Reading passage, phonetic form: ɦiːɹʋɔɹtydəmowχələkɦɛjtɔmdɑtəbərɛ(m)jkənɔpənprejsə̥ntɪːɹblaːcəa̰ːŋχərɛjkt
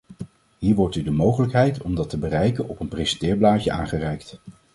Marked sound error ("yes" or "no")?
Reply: yes